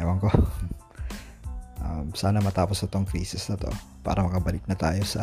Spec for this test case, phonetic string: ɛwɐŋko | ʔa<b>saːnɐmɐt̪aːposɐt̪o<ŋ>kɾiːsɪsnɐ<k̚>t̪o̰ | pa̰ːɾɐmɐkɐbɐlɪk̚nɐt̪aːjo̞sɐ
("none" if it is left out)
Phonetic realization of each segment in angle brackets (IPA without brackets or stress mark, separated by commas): m, ŋ, none